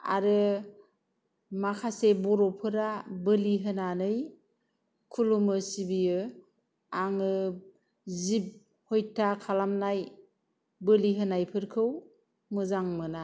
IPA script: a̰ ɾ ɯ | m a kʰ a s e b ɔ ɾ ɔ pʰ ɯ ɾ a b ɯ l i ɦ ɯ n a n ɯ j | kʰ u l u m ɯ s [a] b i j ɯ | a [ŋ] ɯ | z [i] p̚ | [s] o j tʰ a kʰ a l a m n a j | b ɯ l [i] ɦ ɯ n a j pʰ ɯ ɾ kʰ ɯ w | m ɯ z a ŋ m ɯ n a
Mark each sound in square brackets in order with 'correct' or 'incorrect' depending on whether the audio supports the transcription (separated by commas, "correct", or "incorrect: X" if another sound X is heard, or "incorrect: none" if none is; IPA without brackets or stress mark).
incorrect: i, correct, correct, incorrect: h, correct